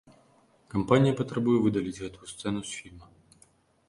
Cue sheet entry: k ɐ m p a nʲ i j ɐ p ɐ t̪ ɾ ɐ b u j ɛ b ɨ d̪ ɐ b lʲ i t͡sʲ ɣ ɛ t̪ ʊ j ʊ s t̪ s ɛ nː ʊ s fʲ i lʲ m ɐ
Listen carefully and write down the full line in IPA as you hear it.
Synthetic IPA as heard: k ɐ m p a nʲ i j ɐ p ɐ t̪ ɾ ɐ b u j ɛ v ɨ d̪ ɐ lʲ i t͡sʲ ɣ ɛ t̪ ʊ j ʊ s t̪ s ɛ n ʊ s fʲ i lʲ m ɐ